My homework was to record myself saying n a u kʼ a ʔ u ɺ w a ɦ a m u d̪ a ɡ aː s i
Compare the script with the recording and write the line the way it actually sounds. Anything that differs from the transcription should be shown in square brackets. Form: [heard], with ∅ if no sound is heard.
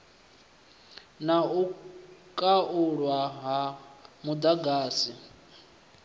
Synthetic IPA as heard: n a u kʼ a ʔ u ɺ w a ɦ a m u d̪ a ɡ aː s i